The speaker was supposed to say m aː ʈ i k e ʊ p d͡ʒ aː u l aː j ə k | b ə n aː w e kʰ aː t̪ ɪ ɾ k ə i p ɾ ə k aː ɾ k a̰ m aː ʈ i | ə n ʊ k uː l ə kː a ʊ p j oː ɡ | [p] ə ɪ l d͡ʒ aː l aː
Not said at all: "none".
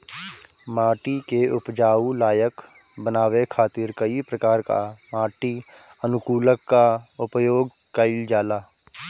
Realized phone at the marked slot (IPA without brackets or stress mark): k